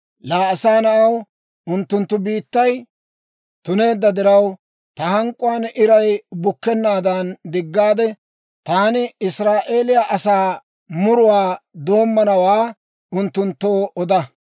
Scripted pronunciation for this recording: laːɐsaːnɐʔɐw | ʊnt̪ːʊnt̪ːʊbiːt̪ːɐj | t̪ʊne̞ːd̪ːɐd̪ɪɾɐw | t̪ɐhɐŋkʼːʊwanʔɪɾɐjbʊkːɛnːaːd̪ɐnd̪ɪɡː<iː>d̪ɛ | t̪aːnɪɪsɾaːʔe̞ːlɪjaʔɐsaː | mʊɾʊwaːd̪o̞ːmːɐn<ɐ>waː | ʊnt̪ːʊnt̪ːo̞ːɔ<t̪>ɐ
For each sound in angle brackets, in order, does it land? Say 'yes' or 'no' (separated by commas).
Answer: no, yes, no